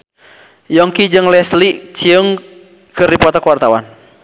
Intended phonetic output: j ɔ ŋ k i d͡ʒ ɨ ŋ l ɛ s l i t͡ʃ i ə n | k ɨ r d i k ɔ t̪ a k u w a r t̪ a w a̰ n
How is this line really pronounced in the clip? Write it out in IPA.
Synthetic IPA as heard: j ɔ ŋ k i d͡ʒ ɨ ŋ l ɛ s l i t͡ʃ i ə ŋ | k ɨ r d i p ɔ t̪ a k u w a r t̪ a w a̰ n